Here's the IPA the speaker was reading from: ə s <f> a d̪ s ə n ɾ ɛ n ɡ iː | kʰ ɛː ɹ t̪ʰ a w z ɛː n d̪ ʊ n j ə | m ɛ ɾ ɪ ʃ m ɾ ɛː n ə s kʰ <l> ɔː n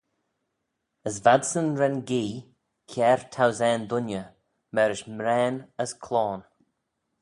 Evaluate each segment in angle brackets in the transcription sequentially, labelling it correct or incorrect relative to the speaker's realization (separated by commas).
incorrect, correct